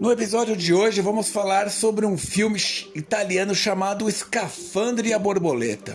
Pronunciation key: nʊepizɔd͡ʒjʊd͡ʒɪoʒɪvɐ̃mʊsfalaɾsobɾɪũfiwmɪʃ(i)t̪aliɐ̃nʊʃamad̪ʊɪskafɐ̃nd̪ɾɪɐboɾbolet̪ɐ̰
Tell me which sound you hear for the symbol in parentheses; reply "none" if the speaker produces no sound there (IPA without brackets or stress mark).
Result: i